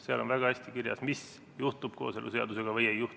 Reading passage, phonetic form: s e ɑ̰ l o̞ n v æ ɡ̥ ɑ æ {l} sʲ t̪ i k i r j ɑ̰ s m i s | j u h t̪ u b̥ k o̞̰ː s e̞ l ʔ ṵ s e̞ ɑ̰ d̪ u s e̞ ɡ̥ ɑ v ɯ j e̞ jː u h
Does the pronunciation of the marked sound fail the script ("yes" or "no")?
yes